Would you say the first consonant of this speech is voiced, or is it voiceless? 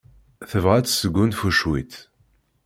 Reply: voiceless